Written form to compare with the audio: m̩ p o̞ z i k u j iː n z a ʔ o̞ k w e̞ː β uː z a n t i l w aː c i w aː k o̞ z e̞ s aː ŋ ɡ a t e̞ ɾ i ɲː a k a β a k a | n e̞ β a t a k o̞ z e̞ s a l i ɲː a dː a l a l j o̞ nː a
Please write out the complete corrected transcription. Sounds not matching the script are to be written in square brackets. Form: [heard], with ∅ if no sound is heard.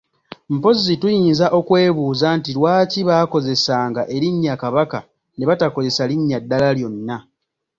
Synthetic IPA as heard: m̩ p o̞ z i [t] u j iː n z a ʔ o̞ k w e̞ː β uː z a n t i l w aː c i [β] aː k o̞ z e̞ s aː ŋ ɡ a [ʔ] e̞ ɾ i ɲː a k a β a k a | n e̞ β a t a k o̞ z e̞ s a l i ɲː a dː a l a l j o̞ nː a

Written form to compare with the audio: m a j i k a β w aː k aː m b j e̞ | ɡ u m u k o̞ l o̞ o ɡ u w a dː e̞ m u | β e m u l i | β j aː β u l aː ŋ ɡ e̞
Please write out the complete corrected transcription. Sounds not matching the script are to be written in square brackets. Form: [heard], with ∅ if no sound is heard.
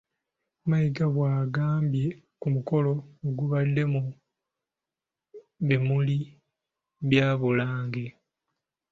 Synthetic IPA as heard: m a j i [ɡ] a β w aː [ɡ] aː m b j e̞ | [k] u m u k o̞ l o̞ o ɡ u [β] a dː e̞ m u | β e m u l i | β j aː β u l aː ŋ ɡ e̞

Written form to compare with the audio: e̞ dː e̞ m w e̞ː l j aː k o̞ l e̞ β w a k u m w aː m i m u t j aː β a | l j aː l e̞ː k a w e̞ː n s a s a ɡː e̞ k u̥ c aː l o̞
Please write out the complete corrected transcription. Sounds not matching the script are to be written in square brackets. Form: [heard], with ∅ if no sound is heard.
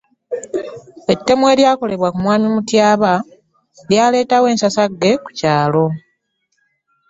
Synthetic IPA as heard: e̞ [tː] e̞ m w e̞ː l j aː k o̞ l e̞ β w a k u m w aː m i m u t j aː β a | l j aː l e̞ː [t] a w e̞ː n s a s a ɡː e̞ k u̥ c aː l o̞

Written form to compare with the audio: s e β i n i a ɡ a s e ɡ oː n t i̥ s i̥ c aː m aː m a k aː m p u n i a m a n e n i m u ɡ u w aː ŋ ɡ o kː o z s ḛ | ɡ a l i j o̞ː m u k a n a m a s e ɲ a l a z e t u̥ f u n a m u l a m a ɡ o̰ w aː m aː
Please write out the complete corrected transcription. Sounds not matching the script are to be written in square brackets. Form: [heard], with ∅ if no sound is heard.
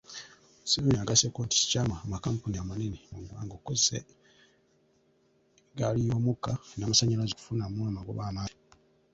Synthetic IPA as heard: s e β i n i a ɡ a s e [k] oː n t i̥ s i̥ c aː m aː m a k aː m p u n i a m a n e n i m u ɡ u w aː ŋ ɡ o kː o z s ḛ | ɡ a l i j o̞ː m u k a n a m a s [a] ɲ a l a z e [k] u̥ f u n a m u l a m a ɡ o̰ [β] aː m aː

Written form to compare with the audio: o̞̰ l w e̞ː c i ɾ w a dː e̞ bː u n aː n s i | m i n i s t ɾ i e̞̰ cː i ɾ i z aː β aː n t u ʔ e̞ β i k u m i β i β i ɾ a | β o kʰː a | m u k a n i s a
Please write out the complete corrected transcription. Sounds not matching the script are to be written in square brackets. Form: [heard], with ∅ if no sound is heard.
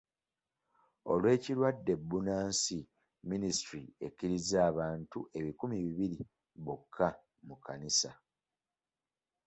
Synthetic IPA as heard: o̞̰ l w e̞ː c i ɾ w a dː e̞ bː u n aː n s i | m i n i s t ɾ i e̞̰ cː i ɾ i z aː β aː n t u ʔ e̞ β i k u m i β i β i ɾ [i] | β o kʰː a | m u k a n i s a

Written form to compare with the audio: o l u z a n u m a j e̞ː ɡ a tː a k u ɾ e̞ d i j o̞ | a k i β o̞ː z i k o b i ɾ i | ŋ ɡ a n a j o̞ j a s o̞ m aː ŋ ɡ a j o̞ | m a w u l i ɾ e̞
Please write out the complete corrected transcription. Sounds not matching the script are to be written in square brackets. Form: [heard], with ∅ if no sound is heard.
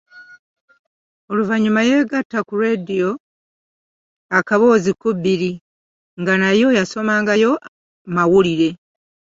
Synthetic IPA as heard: o l u [v] a [ɲ] u m a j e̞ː ɡ a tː a k u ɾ e̞ d i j o̞ | a k [a] β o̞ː z i k [u] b i ɾ i | ŋ ɡ a n a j o̞ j a s o̞ m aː ŋ ɡ a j o̞ | m a w u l i ɾ e̞

